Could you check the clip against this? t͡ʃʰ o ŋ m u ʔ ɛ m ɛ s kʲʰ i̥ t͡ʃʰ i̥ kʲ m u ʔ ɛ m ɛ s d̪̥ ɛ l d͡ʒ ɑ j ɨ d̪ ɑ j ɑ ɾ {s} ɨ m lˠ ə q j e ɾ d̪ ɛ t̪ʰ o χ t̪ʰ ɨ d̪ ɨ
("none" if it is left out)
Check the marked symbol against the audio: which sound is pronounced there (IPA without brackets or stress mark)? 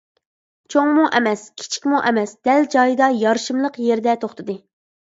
ʃ